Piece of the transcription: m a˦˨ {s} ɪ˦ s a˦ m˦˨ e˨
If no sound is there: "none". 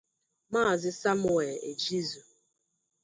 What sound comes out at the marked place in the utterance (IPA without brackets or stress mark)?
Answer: z